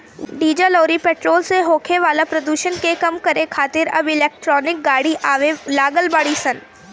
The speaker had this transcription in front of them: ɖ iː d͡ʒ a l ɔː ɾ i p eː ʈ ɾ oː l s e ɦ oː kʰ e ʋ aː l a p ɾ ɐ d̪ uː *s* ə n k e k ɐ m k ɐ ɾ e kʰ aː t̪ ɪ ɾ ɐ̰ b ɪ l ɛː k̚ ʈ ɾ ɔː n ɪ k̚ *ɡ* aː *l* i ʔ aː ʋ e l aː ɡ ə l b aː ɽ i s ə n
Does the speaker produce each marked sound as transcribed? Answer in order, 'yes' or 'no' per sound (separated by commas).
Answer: no, yes, no